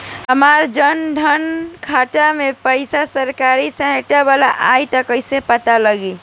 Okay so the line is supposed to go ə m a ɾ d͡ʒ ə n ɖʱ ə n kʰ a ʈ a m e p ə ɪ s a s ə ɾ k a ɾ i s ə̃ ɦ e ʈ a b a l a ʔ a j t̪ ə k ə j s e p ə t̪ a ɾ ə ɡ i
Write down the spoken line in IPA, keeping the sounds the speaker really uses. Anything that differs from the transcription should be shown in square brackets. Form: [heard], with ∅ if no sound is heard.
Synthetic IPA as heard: ə m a ɾ d͡ʒ ə n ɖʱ ə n kʰ a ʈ a m e p ə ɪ s a s ə ɾ k a ɾ i s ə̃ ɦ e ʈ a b a l a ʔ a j t̪ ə k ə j s e p ə t̪ a [l] ə ɡ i